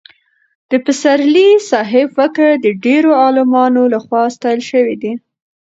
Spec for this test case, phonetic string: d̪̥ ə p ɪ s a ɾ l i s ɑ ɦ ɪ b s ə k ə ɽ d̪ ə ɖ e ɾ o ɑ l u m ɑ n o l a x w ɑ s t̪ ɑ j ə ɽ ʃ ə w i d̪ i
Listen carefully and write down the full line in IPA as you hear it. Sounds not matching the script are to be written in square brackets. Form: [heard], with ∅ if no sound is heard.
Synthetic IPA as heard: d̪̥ ə p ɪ s a ɾ l i s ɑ ɦ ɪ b [f] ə k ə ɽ d̪ ə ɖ e ɾ o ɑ l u m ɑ n o l a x w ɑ s t̪ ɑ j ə [l] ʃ ə w i d̪ i